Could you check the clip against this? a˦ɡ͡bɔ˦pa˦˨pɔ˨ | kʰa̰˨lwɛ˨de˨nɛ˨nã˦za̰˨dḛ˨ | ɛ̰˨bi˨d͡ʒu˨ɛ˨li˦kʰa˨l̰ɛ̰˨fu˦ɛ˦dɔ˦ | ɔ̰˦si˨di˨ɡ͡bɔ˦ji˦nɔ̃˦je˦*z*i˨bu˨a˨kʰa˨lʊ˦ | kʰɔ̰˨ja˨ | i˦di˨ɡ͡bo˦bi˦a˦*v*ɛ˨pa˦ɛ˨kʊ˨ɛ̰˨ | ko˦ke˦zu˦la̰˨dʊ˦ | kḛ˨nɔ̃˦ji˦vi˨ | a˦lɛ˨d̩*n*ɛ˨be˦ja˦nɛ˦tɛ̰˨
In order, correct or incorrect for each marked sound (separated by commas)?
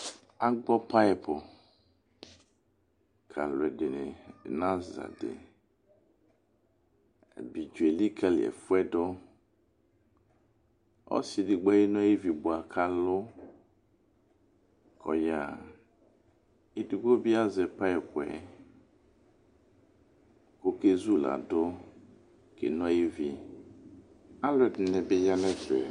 incorrect, incorrect, correct